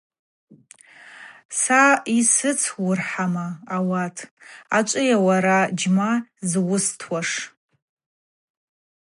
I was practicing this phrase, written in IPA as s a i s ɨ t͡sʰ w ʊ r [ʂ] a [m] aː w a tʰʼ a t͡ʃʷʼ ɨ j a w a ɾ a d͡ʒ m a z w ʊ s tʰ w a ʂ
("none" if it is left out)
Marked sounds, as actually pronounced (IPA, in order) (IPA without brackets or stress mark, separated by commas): ħ, m